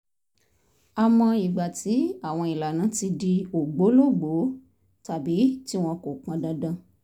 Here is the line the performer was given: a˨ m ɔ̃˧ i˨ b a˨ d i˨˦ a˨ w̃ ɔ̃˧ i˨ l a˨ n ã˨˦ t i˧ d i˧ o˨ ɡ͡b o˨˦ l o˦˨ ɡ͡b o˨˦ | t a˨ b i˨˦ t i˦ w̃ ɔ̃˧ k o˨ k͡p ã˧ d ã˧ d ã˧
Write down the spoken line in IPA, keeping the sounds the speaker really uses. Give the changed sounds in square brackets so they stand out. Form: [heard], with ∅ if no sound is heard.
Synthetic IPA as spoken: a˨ m ɔ̃˧ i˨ [ɡ͡b] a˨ [t] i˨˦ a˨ w̃ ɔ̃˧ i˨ l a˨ n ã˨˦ t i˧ d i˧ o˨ ɡ͡b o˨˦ l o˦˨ ɡ͡b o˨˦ | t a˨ b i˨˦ t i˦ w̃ ɔ̃˧ k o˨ k͡p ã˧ d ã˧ d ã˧

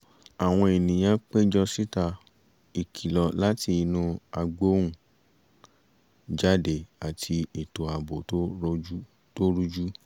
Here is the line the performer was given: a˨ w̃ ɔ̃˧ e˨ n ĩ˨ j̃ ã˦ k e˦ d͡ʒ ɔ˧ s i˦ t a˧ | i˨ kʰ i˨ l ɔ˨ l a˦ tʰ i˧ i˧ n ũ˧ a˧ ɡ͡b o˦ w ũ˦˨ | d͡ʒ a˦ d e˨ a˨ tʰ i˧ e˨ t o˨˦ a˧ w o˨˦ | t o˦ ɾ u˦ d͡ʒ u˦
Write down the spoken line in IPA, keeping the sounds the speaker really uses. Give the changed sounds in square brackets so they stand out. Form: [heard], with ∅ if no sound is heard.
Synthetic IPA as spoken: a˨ w̃ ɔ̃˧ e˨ n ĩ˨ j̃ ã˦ [k͡p] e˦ d͡ʒ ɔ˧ s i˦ t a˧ | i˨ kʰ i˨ l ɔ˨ l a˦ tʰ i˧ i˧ n ũ˧ a˧ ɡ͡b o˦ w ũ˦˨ | d͡ʒ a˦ d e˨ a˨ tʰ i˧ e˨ t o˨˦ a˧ [b] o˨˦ | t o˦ ɾ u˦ d͡ʒ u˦

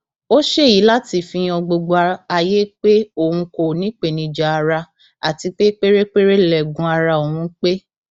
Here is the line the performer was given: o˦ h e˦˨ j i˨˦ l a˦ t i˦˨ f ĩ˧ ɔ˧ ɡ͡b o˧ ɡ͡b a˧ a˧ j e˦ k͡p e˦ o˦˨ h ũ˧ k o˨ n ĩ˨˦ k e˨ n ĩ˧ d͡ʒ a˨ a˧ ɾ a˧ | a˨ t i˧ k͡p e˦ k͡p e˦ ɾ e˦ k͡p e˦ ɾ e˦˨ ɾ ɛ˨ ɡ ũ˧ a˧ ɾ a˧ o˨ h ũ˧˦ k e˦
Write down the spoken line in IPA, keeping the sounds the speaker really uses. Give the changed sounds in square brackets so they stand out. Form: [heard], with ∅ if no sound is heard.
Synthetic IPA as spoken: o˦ [ʃ] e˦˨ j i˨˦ l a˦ t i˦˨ f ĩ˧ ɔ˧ ɡ͡b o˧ ɡ͡b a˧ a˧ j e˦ k͡p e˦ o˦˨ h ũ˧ k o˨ n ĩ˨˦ [k͡p] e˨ n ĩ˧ d͡ʒ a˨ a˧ ɾ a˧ | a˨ t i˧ k͡p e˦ k͡p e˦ ɾ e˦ k͡p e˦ ɾ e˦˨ [l] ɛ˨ ɡ ũ˧ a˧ ɾ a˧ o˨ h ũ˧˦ [k͡p] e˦

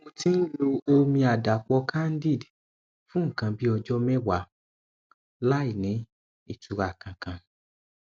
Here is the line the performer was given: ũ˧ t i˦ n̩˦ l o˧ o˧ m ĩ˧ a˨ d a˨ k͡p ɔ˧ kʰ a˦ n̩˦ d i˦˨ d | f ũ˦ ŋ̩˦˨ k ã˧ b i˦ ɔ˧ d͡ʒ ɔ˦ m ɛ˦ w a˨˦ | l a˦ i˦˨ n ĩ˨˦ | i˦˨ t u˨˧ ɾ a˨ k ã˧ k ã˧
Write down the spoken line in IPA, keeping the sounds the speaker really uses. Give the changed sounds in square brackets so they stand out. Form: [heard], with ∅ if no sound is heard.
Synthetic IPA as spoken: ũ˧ t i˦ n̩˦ l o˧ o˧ m ĩ˧ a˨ d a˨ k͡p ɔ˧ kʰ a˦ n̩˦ d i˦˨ d | f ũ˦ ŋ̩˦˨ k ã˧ b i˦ ɔ˧ d͡ʒ ɔ˦ m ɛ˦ w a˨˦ | l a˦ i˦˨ n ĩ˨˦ | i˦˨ t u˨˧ ɾ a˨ k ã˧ k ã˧

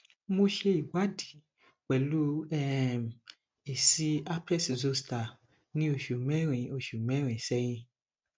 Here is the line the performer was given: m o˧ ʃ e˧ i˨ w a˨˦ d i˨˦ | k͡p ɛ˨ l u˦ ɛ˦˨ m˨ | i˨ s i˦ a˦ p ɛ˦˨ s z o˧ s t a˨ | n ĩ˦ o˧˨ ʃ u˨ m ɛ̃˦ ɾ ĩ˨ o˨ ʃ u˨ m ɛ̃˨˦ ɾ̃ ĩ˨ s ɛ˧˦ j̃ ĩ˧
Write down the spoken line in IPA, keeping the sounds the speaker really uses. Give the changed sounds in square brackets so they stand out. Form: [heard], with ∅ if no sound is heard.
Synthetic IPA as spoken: m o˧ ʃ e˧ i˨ w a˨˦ d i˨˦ | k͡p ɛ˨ l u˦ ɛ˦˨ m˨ | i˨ s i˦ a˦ p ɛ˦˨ s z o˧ s t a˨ | n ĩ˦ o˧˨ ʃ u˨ m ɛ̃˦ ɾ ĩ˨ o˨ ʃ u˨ m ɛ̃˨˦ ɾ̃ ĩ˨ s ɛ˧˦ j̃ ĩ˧

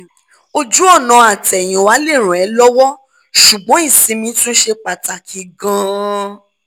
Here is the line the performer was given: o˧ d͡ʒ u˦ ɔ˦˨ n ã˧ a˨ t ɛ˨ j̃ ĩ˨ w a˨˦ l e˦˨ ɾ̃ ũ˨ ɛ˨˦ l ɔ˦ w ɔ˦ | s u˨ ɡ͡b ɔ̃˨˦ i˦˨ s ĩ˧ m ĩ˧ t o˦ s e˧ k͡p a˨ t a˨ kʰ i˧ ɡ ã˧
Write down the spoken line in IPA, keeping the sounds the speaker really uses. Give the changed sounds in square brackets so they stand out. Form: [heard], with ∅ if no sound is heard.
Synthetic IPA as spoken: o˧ d͡ʒ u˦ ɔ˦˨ n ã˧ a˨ t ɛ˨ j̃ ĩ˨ w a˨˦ l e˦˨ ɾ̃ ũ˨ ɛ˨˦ l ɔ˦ w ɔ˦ | [ʃ] u˨ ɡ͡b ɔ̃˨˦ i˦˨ s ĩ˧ m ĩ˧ t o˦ [ʃ] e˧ k͡p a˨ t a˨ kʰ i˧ ɡ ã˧

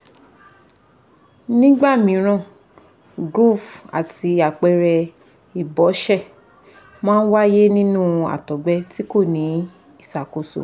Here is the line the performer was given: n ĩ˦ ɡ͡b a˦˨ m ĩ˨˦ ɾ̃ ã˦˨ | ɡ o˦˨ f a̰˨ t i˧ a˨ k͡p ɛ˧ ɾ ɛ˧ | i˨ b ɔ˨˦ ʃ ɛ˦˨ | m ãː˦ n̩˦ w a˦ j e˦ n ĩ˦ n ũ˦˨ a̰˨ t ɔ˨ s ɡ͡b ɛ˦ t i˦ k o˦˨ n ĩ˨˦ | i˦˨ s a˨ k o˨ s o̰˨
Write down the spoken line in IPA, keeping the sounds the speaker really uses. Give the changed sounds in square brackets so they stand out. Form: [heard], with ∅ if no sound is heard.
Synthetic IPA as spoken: n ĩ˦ ɡ͡b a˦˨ m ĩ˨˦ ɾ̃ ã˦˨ | ɡ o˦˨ f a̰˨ t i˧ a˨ k͡p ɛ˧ ɾ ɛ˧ | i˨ b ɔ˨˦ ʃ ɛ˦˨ | m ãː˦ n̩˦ w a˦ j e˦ n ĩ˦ n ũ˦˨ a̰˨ t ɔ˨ [∅] ɡ͡b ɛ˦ t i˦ k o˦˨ n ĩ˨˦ | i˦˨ s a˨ k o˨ s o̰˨

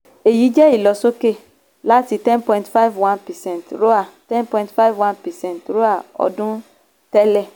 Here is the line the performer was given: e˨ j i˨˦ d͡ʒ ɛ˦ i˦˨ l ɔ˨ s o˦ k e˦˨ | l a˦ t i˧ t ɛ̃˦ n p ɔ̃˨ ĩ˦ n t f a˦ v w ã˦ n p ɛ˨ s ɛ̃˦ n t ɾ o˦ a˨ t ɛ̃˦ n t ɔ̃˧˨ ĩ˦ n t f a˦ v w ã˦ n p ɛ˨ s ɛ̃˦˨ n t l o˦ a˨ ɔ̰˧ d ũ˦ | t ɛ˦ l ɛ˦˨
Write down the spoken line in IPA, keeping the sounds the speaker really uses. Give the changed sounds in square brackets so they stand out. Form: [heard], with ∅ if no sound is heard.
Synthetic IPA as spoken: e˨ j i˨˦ d͡ʒ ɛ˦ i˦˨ l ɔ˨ s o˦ k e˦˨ | l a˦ t i˧ t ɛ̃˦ n p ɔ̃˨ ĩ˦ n t f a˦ v w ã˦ n p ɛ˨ s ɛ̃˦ n t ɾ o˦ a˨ t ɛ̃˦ n [p] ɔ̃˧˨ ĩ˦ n t f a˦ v w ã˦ n p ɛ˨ s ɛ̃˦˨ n t [ɾ] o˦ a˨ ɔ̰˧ d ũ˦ | t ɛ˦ l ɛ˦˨

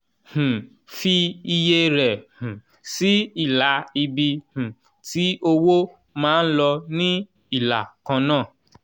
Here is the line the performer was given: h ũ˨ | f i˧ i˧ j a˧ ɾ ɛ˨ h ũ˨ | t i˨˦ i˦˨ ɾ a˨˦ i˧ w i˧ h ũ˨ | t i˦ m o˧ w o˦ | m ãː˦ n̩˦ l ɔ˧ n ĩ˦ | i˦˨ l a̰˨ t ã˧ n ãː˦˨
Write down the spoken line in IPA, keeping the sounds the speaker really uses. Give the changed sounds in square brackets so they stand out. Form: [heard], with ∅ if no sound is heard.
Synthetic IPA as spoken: h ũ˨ | f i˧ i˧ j [e˧] ɾ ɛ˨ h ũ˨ | [s] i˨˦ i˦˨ [l] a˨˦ i˧ [b] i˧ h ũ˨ | t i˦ [∅] o˧ w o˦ | m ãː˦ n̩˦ l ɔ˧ n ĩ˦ | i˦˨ l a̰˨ [k] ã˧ n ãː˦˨

